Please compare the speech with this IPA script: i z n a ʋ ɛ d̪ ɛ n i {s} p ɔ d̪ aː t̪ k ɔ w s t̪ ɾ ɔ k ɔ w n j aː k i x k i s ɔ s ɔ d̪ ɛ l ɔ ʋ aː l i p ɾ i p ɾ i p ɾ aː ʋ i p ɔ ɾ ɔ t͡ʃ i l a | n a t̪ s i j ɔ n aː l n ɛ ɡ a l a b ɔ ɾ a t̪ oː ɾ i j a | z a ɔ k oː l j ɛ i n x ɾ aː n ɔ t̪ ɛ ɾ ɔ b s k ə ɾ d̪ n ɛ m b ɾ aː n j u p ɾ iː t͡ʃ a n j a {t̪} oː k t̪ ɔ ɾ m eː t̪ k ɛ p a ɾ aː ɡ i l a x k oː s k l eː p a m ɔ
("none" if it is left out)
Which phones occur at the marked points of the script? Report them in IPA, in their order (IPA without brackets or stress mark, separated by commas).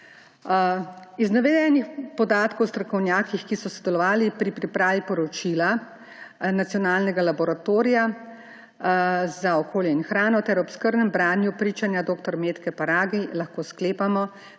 x, d̪